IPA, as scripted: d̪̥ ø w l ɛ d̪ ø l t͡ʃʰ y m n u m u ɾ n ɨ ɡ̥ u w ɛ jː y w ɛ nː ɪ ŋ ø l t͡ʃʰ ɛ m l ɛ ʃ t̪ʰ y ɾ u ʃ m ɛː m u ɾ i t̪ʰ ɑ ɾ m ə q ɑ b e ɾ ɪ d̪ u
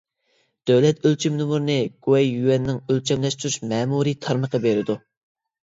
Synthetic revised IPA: d̪̥ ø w l ɛ t̪ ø l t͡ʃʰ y m n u m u ɾ n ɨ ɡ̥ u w ɛ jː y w ɛ nː ɪ ŋ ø l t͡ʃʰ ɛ m l ɛ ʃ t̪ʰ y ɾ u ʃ m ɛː m u ɾ i t̪ʰ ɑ ɾ m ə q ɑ b e ɾ ɪ d̪ u